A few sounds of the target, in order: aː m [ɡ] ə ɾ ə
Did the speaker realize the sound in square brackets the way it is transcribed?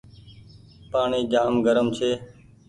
yes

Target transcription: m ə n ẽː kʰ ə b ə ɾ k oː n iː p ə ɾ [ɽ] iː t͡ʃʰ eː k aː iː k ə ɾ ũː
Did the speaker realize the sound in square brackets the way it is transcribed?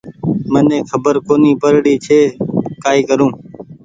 yes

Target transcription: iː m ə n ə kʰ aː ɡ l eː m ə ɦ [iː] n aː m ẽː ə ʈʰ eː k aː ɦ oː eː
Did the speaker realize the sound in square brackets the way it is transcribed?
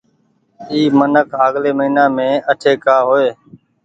yes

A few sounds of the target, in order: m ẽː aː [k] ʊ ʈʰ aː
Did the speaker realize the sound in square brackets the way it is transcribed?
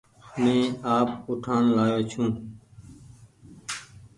no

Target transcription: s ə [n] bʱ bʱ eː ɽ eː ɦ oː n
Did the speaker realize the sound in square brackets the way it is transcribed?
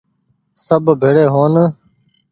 no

